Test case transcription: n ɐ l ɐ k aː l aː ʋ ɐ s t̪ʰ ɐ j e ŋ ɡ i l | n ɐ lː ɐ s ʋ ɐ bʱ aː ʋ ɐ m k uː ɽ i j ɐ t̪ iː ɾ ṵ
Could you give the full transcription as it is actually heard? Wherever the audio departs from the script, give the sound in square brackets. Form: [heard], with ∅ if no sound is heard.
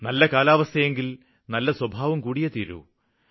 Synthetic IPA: n ɐ [lː] ɐ k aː l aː ʋ ɐ s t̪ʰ ɐ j e ŋ ɡ i l | n ɐ lː ɐ s [w] ɐ bʱ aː ʋ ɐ m k uː ɽ i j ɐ t̪ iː ɾ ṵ